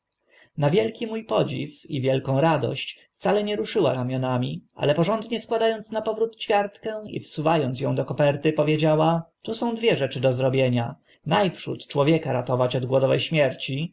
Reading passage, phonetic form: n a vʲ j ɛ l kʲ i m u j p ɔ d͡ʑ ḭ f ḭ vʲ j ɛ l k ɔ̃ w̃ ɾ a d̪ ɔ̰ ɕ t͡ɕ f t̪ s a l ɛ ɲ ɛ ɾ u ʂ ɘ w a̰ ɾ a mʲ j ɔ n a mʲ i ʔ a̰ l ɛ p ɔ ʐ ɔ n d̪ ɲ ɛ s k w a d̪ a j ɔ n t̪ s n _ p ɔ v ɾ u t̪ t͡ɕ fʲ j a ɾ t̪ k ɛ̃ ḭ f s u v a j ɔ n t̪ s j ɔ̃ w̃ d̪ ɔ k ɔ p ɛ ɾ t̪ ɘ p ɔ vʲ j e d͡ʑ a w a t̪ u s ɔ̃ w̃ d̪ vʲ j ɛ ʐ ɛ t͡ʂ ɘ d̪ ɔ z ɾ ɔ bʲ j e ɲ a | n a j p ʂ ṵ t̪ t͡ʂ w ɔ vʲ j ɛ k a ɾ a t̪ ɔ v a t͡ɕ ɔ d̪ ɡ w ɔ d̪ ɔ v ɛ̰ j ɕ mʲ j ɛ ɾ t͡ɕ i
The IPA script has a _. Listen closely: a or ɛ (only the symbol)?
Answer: a